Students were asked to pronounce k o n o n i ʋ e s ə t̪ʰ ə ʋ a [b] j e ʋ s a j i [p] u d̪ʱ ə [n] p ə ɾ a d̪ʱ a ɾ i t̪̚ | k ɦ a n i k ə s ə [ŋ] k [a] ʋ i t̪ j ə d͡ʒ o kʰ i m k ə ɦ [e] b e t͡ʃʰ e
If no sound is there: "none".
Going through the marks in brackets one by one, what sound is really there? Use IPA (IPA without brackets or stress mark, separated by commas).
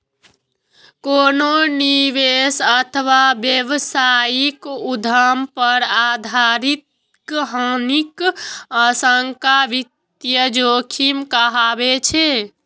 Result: b, k, m, ŋ, a, a